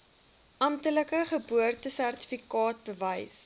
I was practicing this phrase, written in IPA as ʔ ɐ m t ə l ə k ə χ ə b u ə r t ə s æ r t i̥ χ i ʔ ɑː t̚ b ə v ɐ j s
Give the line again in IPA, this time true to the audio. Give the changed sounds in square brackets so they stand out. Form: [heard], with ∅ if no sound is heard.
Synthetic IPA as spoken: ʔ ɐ m t ə l ə k ə χ ə b u ə r t ə s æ r t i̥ [f] i [k] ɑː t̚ b ə v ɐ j s